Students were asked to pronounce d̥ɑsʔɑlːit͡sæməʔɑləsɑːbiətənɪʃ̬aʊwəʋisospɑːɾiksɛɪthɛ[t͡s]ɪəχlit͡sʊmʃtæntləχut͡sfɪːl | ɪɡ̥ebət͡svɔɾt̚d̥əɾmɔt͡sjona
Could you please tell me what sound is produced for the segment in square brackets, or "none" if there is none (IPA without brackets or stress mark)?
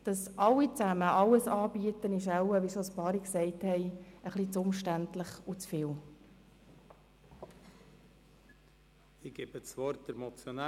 none